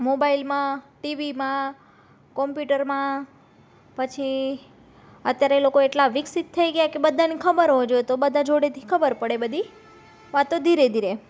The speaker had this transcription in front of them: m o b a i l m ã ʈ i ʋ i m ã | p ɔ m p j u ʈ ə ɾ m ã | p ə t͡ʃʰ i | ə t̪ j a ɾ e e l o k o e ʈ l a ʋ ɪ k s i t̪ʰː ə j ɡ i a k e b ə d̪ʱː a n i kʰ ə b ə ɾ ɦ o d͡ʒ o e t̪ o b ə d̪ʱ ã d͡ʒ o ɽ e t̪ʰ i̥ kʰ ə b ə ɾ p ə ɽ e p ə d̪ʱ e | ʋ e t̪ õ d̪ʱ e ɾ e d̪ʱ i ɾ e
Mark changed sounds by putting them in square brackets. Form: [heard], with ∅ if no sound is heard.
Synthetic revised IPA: m o b a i l m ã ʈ i ʋ i m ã | [k] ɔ m p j u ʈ ə ɾ m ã | p ə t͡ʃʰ i | ə t̪ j a ɾ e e l o k o e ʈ l a ʋ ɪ k s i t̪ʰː ə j ɡ [j] a k e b ə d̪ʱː a n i kʰ ə b ə ɾ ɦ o d͡ʒ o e t̪ o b ə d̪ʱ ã d͡ʒ o ɽ e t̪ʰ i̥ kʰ ə b ə ɾ p ə ɽ e [b] ə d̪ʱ [i] | ʋ [a] t̪ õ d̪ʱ [i] ɾ e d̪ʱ i ɾ e

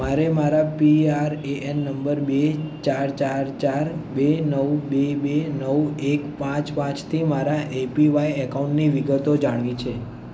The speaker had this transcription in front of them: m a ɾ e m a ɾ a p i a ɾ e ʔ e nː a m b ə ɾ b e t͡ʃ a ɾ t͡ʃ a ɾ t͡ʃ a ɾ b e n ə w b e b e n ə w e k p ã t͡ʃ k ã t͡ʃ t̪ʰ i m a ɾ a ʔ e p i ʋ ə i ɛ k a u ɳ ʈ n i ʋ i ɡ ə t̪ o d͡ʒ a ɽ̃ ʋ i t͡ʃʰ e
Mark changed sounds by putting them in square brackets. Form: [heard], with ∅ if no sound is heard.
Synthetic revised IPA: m a ɾ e m a ɾ a p i a ɾ e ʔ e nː [ə] m b ə ɾ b e t͡ʃ a ɾ t͡ʃ a ɾ t͡ʃ a ɾ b e n ə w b e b e n ə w e k p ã t͡ʃ [p] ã t͡ʃ t̪ʰ i m a ɾ a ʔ e p i ʋ [a] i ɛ k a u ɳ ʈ n i ʋ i ɡ ə t̪ o d͡ʒ a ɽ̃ ʋ i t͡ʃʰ e

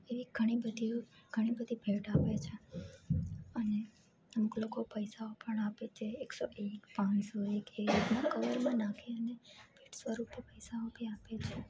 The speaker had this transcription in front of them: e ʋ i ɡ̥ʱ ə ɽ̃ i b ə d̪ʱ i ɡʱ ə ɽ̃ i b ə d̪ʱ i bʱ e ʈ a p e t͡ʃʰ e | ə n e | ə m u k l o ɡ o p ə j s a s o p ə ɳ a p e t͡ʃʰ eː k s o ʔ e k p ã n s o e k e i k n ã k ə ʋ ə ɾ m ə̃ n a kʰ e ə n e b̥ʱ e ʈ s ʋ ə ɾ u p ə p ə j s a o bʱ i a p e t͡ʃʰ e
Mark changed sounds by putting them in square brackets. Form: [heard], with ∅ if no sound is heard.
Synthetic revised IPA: e ʋ i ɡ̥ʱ ə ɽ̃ i b ə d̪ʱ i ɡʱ ə ɽ̃ i b ə d̪ʱ i bʱ e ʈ a p e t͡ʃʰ e | ə n e | ə m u k l o [k] o p ə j s a [∅] o p ə ɳ a p e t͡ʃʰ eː k s o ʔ e k p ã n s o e k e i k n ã k ə ʋ ə ɾ m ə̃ n a kʰ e ə n e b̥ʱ e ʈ s ʋ ə ɾ u p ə p ə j s a o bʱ i a p e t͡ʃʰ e

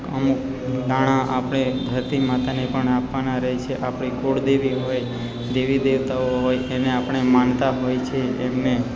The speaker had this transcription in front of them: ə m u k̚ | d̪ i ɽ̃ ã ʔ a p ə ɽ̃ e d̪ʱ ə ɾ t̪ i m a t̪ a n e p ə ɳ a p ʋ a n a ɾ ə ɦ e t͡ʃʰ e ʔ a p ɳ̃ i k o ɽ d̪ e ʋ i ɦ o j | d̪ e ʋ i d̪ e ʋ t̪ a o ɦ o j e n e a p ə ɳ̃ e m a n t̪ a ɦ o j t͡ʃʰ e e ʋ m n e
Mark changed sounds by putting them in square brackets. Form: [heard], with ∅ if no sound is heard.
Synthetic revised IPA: ə m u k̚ | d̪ [a] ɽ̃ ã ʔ a p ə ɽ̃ e d̪ʱ ə ɾ t̪ i m a t̪ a n e p ə ɳ a p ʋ a n a ɾ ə ɦ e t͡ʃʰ e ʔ a p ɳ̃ i k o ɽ d̪ e ʋ i ɦ o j | d̪ e ʋ i d̪ e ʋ t̪ a o ɦ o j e n e a p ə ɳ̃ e m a n t̪ a ɦ o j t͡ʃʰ e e [∅] m n e

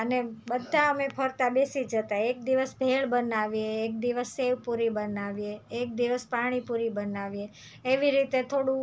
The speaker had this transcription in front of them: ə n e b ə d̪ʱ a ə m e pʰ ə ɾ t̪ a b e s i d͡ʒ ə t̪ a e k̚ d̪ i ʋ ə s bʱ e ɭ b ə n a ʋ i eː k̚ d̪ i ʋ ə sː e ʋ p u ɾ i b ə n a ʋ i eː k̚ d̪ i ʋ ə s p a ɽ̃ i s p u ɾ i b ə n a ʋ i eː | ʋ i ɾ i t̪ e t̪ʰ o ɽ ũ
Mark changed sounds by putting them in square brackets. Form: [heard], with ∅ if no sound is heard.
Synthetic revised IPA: ə n e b ə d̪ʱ a ə m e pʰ ə ɾ t̪ a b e s i d͡ʒ ə t̪ a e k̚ d̪ i ʋ ə s bʱ e ɭ b ə n a ʋ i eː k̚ d̪ i ʋ ə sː e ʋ p u ɾ i b ə n a ʋ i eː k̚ d̪ i ʋ ə s p a ɽ̃ i [∅] p u ɾ i b ə n a ʋ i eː | ʋ i ɾ i t̪ e t̪ʰ o ɽ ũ

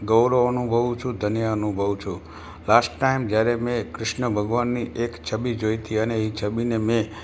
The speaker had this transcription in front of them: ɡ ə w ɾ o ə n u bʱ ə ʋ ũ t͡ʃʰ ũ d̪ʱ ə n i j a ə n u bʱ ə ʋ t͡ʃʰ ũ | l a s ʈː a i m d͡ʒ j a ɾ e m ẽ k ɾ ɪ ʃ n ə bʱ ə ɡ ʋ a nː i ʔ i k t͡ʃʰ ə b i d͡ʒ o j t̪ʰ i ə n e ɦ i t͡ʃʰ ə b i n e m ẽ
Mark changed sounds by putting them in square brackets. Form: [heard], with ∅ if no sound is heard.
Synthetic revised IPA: ɡ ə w ɾ o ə n u bʱ ə ʋ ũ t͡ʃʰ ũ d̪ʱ ə n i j a ə n u bʱ ə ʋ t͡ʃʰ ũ | l a s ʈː a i m d͡ʒ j a ɾ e m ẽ k ɾ ɪ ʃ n ə bʱ ə ɡ ʋ a nː i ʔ [e] k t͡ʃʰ ə b i d͡ʒ o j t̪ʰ i ə n e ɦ i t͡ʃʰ ə b i n e m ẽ

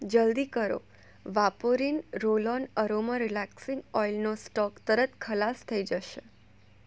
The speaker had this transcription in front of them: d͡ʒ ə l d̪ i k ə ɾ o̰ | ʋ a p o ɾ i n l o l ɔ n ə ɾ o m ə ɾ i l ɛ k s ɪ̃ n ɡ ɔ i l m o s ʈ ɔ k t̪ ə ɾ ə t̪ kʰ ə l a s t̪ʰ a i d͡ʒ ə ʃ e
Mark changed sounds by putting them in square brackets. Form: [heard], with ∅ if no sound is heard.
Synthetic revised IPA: d͡ʒ ə l d̪ i k ə ɾ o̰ | ʋ a p o ɾ i n [ɾ] o l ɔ n ə ɾ o m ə ɾ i l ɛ k s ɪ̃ [ŋ] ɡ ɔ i l [n] o s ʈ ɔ k t̪ ə ɾ ə t̪ kʰ ə l a s t̪ʰ [ə] i d͡ʒ ə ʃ e

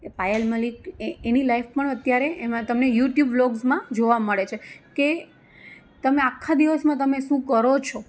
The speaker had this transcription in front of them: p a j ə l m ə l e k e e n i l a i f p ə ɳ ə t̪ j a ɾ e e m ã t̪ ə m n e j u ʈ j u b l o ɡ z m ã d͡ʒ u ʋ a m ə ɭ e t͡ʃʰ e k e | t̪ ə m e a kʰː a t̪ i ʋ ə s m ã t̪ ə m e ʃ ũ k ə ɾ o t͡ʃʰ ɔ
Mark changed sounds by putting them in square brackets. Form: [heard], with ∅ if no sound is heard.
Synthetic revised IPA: p a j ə l m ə l [i] k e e n i l a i f p ə ɳ ə t̪ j a ɾ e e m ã t̪ ə m n e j u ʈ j u b l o ɡ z m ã d͡ʒ [o] ʋ a m ə ɭ e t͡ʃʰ e k e | t̪ ə m e a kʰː a [d̪] i ʋ ə s m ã t̪ ə m e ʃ ũ k ə ɾ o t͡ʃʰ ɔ

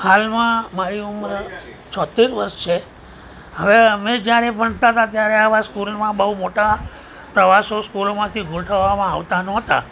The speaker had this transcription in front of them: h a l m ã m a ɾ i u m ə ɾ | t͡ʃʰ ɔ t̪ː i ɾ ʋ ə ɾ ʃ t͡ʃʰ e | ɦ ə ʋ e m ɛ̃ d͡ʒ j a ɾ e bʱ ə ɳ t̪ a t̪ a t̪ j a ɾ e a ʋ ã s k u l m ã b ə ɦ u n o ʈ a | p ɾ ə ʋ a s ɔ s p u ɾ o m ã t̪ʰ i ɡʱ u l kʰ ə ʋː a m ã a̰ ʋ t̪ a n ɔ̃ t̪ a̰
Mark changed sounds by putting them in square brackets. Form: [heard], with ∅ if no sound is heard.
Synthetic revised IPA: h a l m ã m a ɾ i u m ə ɾ | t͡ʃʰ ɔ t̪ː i ɾ ʋ ə ɾ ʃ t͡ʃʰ e | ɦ ə ʋ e m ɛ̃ d͡ʒ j a ɾ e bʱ ə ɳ t̪ a t̪ a t̪ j a ɾ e a ʋ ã s k u l m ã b ə ɦ u [m] o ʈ a | p ɾ ə ʋ a s [o] s [k] u [l] o m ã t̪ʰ i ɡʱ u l [ʈʰ] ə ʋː a m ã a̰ ʋ t̪ a n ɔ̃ t̪ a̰

